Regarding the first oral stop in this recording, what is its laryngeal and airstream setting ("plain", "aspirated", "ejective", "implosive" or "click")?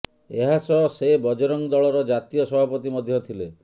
plain